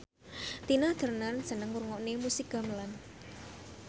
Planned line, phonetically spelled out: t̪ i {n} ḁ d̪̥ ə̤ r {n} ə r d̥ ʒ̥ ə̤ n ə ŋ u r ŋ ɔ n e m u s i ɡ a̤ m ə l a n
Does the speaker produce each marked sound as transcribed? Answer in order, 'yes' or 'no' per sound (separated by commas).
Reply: yes, yes